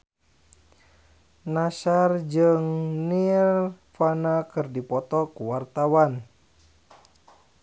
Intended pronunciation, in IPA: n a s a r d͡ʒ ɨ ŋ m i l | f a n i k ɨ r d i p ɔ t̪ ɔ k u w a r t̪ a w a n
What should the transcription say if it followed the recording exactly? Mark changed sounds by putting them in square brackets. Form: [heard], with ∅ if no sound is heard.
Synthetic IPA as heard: n a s a r d͡ʒ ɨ ŋ [n] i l | f a n [a] k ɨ r d i p ɔ t̪ ɔ k u w a r t̪ a w a n